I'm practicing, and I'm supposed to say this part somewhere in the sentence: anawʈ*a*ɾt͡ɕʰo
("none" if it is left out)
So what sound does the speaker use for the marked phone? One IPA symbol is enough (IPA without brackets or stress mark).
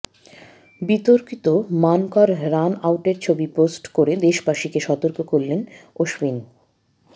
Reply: e